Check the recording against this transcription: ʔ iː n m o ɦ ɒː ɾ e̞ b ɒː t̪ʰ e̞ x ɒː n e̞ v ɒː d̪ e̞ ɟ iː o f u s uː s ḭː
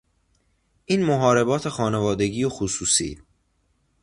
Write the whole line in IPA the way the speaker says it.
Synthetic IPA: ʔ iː n m o ɦ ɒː ɾ e̞ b ɒː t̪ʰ e̞ x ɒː n e̞ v ɒː d̪ e̞ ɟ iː o x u s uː s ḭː